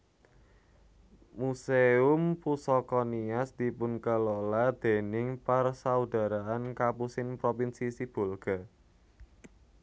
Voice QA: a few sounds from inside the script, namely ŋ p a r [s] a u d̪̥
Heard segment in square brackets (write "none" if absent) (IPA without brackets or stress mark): s